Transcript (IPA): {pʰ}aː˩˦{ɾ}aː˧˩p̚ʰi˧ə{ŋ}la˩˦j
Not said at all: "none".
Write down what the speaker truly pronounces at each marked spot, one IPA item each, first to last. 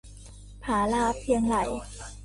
pʰ, l, ŋ

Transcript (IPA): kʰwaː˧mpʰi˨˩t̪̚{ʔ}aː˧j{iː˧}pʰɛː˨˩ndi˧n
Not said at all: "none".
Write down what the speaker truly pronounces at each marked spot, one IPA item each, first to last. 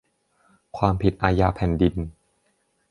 ʔ, aː˧

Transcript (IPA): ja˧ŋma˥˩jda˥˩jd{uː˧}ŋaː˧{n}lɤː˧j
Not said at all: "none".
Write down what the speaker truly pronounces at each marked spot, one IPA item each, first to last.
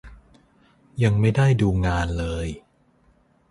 uː˧, n

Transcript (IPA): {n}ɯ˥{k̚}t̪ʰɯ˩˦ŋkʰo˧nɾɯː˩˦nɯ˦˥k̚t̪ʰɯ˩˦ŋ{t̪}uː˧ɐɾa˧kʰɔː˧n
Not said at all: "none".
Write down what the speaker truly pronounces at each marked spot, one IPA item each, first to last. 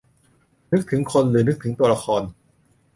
n, k̚, t̪

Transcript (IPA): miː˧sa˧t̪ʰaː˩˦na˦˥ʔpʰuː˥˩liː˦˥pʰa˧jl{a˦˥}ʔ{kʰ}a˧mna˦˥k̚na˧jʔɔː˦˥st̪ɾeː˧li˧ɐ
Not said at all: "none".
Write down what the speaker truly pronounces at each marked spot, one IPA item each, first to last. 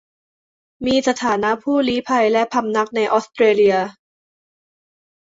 ɛ˦˥, pʰ

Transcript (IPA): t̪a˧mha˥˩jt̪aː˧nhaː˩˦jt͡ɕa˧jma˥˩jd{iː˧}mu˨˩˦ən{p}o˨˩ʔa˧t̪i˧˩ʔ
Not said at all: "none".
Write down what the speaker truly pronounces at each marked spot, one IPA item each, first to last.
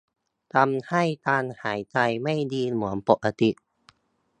iː˧, p

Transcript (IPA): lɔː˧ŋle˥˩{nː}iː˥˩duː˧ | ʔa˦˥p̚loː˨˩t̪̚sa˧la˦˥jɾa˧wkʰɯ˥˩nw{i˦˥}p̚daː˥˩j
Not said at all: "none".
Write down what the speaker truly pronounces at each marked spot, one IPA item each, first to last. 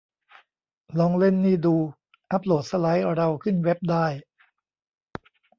nː, e˦˥

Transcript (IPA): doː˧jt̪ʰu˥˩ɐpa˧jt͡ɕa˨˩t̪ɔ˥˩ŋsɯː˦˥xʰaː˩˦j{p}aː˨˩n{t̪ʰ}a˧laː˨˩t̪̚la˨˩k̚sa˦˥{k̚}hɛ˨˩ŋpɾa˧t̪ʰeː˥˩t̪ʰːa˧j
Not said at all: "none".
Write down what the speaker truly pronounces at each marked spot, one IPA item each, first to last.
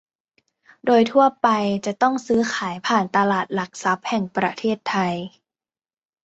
pʰ, t̪, p̚

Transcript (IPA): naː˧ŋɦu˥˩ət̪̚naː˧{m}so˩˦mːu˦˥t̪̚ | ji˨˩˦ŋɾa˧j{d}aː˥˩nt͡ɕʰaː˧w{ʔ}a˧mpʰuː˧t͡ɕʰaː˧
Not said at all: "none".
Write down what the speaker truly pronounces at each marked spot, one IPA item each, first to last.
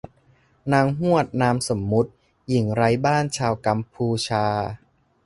m, b, k

